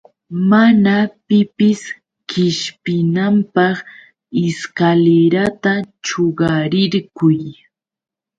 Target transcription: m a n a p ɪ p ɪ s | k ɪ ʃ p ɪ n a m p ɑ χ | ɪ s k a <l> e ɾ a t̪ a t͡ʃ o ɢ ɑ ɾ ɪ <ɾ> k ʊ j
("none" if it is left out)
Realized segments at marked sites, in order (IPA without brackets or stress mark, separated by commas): l, ɾ